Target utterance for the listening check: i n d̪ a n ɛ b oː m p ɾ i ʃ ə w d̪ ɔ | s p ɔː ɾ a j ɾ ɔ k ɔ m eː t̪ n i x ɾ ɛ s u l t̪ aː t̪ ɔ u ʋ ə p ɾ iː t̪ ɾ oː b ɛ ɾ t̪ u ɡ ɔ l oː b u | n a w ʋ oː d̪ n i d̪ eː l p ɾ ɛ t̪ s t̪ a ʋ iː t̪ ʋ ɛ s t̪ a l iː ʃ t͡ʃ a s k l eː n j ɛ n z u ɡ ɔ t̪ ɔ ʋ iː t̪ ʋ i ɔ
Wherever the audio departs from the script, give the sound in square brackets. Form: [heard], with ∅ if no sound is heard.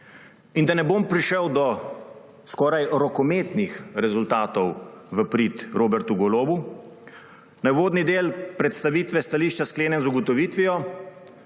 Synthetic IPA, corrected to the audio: i n d̪ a n ɛ b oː m p ɾ i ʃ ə w d̪ ɔ | s [k] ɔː ɾ a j ɾ ɔ k ɔ m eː t̪ n i x ɾ ɛ [z] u l t̪ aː t̪ ɔ [w] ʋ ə p ɾ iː t̪ ɾ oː b ɛ ɾ t̪ u ɡ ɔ l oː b u | n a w ʋ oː d̪ n i d̪ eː l p ɾ ɛ t̪ s t̪ a ʋ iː t̪ ʋ ɛ s t̪ a l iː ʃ t͡ʃ a s k l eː n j ɛ n z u ɡ ɔ t̪ ɔ ʋ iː t̪ ʋ i ɔ